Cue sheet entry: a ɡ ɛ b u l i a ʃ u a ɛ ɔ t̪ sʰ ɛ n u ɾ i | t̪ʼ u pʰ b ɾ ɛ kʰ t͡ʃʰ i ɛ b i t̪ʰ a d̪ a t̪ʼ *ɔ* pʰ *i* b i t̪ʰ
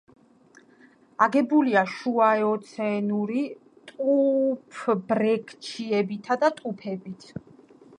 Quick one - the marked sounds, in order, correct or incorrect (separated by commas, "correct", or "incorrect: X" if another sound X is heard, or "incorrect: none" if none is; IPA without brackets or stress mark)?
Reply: incorrect: u, incorrect: ɛ